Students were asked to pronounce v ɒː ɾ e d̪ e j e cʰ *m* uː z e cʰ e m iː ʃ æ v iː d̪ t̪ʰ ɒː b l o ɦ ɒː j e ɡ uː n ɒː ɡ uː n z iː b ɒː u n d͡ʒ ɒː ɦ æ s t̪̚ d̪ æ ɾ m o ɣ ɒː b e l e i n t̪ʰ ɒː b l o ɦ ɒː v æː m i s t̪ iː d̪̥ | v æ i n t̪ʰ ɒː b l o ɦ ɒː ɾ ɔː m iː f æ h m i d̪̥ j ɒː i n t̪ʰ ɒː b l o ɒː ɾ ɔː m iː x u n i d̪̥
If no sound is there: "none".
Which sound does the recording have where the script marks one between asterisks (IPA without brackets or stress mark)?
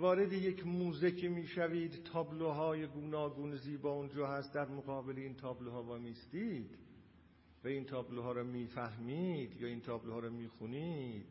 m